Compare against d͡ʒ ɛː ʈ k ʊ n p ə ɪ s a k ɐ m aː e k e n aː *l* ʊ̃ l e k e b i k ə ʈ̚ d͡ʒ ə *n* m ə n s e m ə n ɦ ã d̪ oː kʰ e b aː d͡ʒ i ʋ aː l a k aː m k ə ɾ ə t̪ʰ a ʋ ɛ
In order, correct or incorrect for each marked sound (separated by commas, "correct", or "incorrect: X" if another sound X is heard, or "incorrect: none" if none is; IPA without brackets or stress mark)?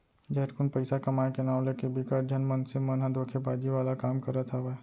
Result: incorrect: none, correct